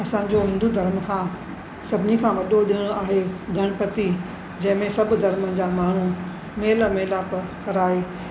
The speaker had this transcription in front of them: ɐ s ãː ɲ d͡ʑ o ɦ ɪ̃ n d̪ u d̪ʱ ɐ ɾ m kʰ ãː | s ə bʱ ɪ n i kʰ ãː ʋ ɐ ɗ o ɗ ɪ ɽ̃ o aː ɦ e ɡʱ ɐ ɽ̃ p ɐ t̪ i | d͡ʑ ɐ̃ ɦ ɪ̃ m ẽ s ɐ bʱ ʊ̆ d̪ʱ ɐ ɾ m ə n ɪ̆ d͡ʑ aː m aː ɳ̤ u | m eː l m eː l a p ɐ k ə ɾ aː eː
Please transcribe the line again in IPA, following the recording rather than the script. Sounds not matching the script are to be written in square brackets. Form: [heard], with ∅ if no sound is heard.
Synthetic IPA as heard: ɐ s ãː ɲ d͡ʑ o ɦ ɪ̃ n d̪ u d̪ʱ ɐ ɾ m kʰ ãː | s [ɐ] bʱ ɪ n i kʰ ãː ʋ ɐ ɗ o ɗ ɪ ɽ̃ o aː ɦ e ɡʱ ɐ ɽ̃ p ɐ t̪ i | d͡ʑ ɐ̃ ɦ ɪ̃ m ẽ s ɐ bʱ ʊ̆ d̪ʱ ɐ ɾ m ə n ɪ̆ d͡ʑ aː m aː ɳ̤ u | m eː l m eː l a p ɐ k [ɐ] ɾ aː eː

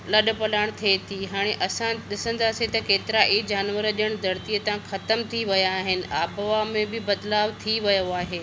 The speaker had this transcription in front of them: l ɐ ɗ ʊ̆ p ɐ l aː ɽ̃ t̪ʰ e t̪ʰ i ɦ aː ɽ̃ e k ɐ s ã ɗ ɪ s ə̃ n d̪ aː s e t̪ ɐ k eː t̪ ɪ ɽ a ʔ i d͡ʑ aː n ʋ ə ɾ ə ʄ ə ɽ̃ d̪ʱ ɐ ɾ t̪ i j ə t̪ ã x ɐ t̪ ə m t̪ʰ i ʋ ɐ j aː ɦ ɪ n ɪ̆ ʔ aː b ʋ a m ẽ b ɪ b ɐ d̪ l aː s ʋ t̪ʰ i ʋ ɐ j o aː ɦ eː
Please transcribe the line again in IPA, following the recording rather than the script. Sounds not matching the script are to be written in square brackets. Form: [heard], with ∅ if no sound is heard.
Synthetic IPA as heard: l ɐ ɗ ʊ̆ p ɐ l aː ɽ̃ t̪ʰ e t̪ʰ i ɦ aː ɽ̃ e [ʔ] ɐ s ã ɗ ɪ s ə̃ n d̪ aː s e t̪ ɐ k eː t̪ ɪ [ɾ] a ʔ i d͡ʑ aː n ʋ ə ɾ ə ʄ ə ɽ̃ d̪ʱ ɐ ɾ t̪ i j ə t̪ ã x ɐ t̪ ə m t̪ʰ i ʋ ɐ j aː ɦ ɪ n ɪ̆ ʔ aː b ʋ a m ẽ b ɪ b ɐ d̪ l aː [∅] ʋ t̪ʰ i ʋ ɐ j o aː ɦ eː

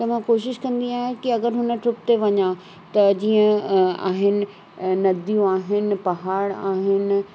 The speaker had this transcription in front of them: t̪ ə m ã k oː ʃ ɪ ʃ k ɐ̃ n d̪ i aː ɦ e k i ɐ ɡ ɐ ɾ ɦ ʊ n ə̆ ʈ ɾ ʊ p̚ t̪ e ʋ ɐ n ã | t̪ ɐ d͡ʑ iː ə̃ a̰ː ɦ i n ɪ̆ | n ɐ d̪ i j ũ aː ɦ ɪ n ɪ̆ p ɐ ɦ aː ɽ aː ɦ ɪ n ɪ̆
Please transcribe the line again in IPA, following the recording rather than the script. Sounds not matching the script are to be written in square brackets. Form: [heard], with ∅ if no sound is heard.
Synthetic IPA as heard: t̪ [ɐ] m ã k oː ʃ ɪ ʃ k ɐ̃ n d̪ i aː ɦ e k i ɐ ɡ [ə] ɾ ɦ ʊ n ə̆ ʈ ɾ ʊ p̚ t̪ e ʋ ɐ [ɲ] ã | t̪ ɐ d͡ʑ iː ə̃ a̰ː ɦ [ɪ] n ɪ̆ | n ɐ d̪ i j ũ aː ɦ ɪ n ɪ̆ p ɐ ɦ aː ɽ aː ɦ ɪ n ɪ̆

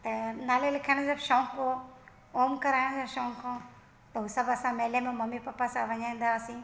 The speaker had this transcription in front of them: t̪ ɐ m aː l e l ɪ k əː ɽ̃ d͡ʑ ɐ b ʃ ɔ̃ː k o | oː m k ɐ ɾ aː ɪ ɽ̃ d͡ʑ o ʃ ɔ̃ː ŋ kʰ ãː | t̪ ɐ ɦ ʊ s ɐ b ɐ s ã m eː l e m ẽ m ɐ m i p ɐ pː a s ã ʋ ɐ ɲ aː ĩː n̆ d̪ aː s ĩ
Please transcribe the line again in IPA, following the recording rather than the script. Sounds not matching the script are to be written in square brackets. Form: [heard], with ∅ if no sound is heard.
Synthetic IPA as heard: t̪ ɐ [n] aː l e l ɪ [kʰ] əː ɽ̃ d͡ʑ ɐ b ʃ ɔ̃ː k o | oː m k ɐ ɾ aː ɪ ɽ̃ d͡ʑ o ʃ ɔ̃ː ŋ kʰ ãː | t̪ ɐ ɦ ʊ s ɐ b ɐ s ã m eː l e m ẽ m ɐ m i p ɐ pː a s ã ʋ ɐ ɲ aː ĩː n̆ d̪ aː s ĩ

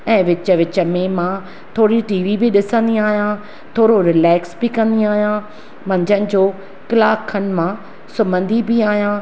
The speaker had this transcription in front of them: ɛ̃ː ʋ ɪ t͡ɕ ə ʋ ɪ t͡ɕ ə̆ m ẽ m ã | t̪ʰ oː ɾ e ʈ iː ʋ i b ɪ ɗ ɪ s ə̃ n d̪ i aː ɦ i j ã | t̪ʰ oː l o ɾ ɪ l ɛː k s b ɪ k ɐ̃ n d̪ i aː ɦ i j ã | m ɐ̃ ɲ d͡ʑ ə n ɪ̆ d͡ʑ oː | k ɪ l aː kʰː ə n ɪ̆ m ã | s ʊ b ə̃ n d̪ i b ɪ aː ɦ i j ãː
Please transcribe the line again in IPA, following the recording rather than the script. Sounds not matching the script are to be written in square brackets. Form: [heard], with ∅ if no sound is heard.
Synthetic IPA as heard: ɛ̃ː ʋ ɪ t͡ɕ ə ʋ ɪ t͡ɕ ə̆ m ẽ m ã | t̪ʰ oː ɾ [i] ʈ iː ʋ i b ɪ ɗ ɪ s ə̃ n d̪ i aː ɦ i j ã | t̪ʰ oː [ɾ] o ɾ ɪ l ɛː k s b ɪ k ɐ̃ n d̪ i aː ɦ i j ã | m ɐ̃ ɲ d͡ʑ ə n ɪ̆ d͡ʑ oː | k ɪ l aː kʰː ə n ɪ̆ m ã | s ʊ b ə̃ n d̪ i b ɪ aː ɦ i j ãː

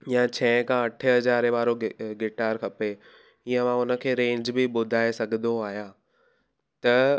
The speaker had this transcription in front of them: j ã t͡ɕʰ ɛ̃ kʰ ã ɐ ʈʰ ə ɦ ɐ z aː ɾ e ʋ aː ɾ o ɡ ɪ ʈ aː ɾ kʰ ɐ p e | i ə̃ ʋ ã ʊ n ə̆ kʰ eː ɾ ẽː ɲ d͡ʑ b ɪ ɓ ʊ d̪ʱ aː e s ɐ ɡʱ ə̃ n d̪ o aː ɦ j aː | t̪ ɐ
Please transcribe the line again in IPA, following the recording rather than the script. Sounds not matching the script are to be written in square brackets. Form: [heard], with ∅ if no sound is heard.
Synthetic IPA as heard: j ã t͡ɕʰ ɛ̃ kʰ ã ɐ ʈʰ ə ɦ ɐ z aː ɾ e ʋ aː ɾ o ɡ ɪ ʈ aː ɾ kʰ ɐ p e | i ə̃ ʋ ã ʊ n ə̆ kʰ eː ɾ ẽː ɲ d͡ʑ b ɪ ɓ ʊ d̪ʱ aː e s ɐ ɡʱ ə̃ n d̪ o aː ɦ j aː | t̪ ɐ

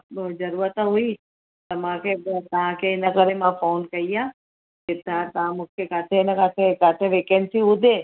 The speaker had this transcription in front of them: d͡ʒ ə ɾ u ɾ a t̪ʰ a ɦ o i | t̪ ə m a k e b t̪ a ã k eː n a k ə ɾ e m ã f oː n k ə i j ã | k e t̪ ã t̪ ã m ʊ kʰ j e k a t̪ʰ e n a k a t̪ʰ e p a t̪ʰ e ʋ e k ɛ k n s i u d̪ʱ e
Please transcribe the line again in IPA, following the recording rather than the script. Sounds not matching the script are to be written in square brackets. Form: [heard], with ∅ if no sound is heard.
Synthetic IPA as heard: d͡ʒ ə ɾ u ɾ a [t̪] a ɦ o i | t̪ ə m a k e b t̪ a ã k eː n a k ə ɾ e m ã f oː n k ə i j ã | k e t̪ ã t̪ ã m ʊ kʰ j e k a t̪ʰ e n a k a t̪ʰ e [k] a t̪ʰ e ʋ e k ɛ [∅] n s i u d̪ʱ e

